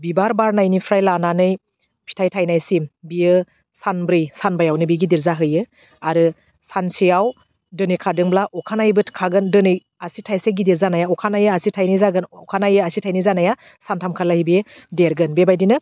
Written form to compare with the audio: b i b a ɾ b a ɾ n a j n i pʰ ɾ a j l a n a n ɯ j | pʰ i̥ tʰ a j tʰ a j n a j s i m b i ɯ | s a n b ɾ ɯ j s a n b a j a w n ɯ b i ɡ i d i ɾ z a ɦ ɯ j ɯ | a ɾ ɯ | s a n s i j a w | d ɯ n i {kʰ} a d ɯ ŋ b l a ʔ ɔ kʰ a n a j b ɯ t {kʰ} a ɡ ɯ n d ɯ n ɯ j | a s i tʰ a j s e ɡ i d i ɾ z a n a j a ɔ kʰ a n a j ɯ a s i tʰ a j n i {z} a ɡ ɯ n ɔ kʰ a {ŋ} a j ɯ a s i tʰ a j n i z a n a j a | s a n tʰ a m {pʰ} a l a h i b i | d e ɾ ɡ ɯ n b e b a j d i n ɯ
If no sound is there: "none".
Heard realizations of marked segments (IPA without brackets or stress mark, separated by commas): kʰ, kʰ, z, n, kʰ